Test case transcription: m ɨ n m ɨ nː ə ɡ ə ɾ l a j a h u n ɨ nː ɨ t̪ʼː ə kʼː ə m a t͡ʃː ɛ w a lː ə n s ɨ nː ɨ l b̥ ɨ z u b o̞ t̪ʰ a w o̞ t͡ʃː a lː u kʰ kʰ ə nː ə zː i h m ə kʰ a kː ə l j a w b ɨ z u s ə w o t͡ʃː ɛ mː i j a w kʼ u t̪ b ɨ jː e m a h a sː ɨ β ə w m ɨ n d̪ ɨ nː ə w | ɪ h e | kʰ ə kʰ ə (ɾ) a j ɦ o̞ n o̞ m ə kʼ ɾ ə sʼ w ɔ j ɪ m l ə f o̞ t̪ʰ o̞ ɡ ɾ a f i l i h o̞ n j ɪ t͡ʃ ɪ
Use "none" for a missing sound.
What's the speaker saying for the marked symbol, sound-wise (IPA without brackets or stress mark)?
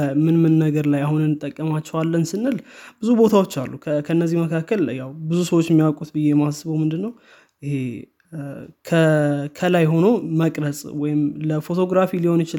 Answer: l